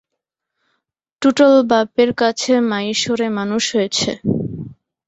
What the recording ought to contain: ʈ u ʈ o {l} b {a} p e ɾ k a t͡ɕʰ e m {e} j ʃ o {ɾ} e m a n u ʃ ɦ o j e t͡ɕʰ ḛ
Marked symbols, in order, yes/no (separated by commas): yes, yes, no, yes